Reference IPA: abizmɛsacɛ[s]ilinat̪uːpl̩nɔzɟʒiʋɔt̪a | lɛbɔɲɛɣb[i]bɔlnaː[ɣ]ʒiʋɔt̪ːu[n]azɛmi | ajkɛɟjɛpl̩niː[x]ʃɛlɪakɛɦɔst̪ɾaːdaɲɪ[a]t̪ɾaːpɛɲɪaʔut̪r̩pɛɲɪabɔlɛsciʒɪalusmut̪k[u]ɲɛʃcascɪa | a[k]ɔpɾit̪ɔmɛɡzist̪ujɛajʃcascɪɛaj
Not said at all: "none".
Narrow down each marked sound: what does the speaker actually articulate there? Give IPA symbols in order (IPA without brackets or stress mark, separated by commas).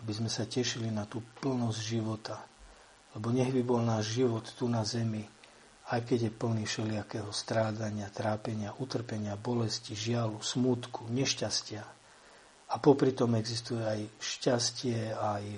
ʃ, i, ʒ, n, f, a, u, p